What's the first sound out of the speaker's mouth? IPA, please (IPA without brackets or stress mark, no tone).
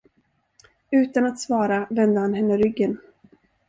ʉ̟ː